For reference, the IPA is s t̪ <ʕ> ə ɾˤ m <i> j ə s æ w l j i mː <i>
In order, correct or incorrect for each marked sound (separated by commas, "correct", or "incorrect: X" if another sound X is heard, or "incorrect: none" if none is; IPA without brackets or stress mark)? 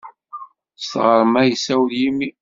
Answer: incorrect: ʁ, incorrect: æ, correct